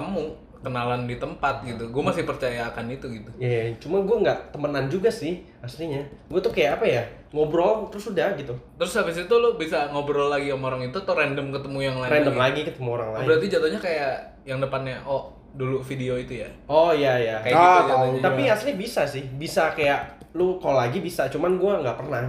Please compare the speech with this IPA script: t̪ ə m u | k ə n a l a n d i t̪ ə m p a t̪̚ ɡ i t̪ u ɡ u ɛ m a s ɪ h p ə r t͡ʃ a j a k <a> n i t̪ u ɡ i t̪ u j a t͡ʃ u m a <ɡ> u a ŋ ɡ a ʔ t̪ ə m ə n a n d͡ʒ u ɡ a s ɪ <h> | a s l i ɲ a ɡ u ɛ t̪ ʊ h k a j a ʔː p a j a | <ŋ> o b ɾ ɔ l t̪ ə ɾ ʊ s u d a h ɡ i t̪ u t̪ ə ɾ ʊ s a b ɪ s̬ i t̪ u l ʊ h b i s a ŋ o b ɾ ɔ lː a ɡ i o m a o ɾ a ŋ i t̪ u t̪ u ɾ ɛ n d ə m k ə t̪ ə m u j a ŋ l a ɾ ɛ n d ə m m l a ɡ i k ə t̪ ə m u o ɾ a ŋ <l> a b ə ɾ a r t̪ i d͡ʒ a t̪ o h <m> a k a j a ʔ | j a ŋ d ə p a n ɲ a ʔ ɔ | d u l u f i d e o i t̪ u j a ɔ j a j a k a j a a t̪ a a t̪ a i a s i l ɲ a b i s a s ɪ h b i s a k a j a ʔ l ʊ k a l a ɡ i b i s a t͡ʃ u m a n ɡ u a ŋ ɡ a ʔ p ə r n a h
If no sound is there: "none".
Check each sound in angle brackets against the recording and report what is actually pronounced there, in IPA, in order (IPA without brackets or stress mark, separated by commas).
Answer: a, ɡ, h, ŋ, l, ɲ